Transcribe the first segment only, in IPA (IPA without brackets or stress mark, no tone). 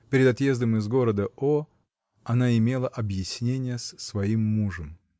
pʲ